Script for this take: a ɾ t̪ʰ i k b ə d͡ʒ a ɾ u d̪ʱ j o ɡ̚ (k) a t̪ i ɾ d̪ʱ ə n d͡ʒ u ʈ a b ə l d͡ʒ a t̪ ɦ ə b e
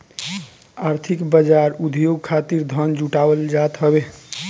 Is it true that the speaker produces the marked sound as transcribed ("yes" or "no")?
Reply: no